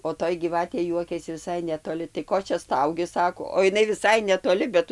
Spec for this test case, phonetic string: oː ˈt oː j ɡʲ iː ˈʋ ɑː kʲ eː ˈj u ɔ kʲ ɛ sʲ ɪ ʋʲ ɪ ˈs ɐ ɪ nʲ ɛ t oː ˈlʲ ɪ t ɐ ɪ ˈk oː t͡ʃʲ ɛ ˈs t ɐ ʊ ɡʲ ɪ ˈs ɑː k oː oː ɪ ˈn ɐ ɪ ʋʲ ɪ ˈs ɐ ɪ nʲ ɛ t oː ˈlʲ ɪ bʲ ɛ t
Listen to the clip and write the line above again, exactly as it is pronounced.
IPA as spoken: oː ˈt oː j ɡʲ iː ˈʋ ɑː tʲ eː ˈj u ɔ kʲ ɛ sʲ ɪ ʋʲ ɪ ˈs ɐ ɪ nʲ ɛ t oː ˈlʲ ɪ t ɐ ɪ ˈk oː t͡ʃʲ ɛ ˈs t ɐ ʊ ɡʲ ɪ ˈs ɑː k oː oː ɪ ˈn ɐ ɪ ʋʲ ɪ ˈs ɐ ɪ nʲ ɛ t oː ˈlʲ ɪ bʲ ɛ t